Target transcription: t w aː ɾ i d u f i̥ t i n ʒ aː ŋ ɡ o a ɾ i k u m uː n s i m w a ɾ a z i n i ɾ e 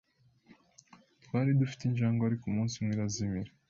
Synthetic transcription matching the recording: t w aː ɾ i d u f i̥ t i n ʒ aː ŋ ɡ o a ɾ i k u m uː n s i m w i ɾ a z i m i ɾ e